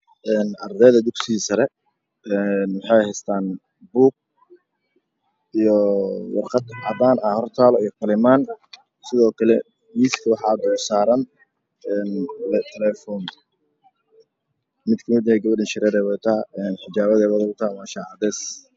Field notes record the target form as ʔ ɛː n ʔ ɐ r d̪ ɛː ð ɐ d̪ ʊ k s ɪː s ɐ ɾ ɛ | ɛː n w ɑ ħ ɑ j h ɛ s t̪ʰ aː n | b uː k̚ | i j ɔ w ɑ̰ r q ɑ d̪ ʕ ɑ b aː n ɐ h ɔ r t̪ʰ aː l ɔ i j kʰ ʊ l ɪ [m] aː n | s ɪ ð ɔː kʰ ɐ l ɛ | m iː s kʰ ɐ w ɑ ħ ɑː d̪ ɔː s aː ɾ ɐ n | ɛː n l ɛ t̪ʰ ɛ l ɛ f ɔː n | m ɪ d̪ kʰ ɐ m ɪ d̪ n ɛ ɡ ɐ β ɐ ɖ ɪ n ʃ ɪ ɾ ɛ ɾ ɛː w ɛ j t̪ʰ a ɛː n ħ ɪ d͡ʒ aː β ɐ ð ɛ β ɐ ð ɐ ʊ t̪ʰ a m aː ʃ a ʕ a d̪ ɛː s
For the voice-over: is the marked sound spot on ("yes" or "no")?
yes